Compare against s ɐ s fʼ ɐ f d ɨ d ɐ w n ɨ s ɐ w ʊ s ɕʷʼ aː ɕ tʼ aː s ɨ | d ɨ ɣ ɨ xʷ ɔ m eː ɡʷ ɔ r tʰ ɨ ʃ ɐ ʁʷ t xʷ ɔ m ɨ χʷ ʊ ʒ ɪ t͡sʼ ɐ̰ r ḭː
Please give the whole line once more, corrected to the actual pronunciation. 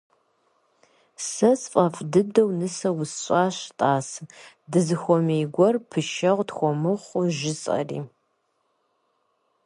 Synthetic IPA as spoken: s ɐ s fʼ ɐ f d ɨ d ɐ w n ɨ s ɐ w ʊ s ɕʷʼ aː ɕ tʼ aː s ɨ | d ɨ z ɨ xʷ ɔ m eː ɡʷ ɔ r pʰ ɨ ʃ ɐ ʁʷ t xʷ ɔ m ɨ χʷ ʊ ʒ ɪ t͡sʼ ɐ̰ r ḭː

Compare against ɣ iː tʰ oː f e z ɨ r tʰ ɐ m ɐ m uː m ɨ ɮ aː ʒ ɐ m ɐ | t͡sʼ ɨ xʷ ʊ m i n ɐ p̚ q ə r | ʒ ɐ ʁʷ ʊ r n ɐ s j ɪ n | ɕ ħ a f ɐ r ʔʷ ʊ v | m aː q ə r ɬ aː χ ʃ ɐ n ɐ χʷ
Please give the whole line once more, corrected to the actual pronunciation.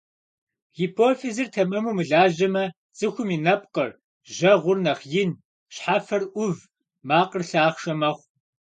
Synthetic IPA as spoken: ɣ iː pʰ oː f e z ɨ r tʰ ɐ m ɐ m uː m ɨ ɮ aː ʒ ɐ m ɐ | t͡sʼ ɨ xʷ ʊ m i n ɐ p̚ q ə r | ʒ ɐ ʁʷ ʊ r n ɐ χ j ɪ n | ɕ ħ a f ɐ r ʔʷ ʊ v | m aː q ə r ɬ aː χ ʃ ɐ m ɐ χʷ

